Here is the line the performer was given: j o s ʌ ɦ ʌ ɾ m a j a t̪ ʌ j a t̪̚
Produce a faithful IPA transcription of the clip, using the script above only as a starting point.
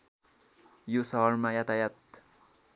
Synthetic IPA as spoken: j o s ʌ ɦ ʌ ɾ m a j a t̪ a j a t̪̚